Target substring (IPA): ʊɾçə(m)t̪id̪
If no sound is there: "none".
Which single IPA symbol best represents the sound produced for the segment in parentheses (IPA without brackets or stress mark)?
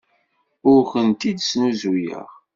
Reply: n